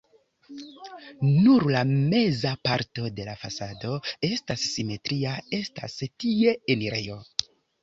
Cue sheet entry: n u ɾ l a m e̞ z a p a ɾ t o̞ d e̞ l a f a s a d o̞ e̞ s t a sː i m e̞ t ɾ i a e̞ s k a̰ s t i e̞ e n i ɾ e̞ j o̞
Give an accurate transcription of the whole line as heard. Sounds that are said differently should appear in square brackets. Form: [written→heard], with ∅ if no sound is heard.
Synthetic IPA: n u ɾ l a m e̞ z a p a ɾ t o̞ d e̞ l a f a s a d o̞ e̞ s t a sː i m e̞ t ɾ i a e̞ s [k→t] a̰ s t i e̞ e n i ɾ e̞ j o̞